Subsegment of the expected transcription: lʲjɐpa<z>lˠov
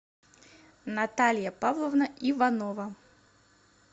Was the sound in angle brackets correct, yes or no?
no